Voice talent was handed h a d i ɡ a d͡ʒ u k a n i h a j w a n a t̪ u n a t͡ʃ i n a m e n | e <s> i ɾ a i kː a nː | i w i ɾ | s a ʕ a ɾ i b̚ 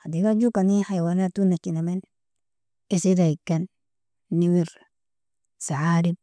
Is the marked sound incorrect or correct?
correct